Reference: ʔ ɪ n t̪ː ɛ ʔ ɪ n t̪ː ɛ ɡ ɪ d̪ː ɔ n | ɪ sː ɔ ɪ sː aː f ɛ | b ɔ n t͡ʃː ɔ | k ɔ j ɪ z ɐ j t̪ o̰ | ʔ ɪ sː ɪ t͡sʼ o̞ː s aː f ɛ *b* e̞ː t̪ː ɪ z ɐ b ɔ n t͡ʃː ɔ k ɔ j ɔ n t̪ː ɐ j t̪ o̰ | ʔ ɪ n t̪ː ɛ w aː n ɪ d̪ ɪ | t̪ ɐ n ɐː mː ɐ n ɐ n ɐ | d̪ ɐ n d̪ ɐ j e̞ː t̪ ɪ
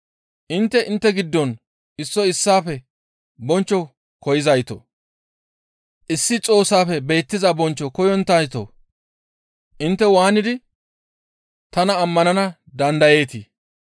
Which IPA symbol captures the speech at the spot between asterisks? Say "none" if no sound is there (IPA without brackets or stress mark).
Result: b